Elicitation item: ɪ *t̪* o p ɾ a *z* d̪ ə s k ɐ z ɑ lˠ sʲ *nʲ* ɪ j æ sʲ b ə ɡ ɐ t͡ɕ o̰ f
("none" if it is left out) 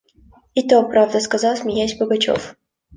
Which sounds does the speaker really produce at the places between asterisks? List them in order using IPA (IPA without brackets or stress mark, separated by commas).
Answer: t̪, v, mʲ